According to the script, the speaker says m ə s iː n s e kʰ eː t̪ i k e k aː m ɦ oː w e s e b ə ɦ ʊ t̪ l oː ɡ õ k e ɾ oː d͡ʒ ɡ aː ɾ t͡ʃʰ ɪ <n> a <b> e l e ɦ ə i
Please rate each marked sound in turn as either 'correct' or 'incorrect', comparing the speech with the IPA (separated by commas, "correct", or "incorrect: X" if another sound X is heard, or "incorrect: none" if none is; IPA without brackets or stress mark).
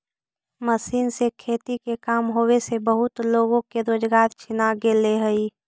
correct, incorrect: ɡ